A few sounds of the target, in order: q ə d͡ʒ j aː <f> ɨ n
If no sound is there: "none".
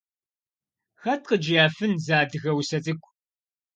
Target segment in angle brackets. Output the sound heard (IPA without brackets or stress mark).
f